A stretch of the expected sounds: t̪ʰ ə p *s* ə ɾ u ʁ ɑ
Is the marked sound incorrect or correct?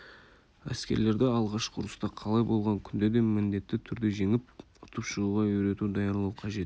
incorrect